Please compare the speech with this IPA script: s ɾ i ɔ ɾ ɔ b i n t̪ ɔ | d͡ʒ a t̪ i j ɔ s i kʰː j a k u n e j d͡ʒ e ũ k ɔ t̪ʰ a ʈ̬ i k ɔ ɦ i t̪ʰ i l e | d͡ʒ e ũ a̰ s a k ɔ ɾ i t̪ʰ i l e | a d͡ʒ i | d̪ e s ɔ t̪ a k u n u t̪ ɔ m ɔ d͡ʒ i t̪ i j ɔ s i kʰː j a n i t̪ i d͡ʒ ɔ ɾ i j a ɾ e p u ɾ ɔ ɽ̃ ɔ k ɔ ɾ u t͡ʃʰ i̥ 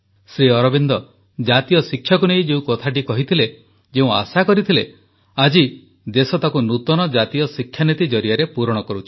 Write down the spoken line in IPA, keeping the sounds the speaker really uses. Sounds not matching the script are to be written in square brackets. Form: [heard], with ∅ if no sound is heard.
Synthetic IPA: s ɾ i ɔ ɾ ɔ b i n [d̪] ɔ | d͡ʒ a t̪ i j ɔ s i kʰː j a k u n e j d͡ʒ e ũ k ɔ t̪ʰ a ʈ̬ i k ɔ ɦ i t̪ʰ i l e | d͡ʒ e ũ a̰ s a k ɔ ɾ i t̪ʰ i l e | a d͡ʒ i | d̪ e s ɔ t̪ a k u n u t̪ ɔ [n] ɔ d͡ʒ [a] t̪ i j ɔ s i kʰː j a n i t̪ i d͡ʒ ɔ ɾ i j a ɾ e p u ɾ ɔ ɽ̃ ɔ k ɔ ɾ u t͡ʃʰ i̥